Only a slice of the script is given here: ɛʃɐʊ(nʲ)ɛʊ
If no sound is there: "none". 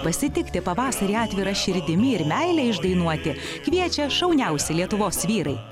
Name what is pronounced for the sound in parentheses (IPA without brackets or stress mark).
nʲ